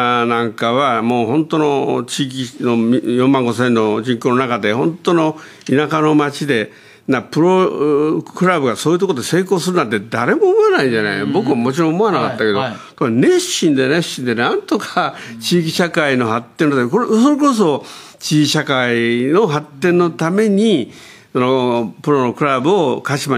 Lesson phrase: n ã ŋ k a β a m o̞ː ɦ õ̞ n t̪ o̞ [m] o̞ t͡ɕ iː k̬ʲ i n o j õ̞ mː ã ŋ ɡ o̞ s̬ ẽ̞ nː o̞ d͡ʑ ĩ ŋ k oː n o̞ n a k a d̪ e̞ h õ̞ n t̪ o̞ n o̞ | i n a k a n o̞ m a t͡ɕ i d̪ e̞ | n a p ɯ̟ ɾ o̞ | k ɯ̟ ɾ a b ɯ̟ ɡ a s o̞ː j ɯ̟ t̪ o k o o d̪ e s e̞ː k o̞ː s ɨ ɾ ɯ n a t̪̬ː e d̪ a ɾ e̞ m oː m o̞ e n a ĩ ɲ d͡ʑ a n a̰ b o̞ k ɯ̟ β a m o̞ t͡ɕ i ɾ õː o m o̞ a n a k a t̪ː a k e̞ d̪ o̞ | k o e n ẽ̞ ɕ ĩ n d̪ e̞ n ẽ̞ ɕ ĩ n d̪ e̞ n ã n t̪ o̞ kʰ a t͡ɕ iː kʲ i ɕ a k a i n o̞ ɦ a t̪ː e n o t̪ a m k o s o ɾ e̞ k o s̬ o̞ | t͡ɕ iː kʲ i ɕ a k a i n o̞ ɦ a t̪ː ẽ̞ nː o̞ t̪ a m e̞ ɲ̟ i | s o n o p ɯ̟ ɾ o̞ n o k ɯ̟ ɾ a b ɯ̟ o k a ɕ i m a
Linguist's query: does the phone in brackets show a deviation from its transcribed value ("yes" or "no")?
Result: yes